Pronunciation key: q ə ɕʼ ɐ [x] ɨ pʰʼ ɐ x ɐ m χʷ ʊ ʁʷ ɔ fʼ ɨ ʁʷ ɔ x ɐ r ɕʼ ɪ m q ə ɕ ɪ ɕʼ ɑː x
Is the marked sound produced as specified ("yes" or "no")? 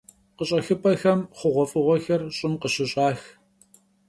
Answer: yes